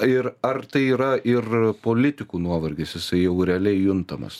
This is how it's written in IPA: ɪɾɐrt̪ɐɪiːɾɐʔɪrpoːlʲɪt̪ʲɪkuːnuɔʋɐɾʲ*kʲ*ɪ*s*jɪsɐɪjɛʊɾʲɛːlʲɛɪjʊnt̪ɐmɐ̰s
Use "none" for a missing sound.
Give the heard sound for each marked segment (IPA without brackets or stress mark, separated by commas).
ɡʲ, s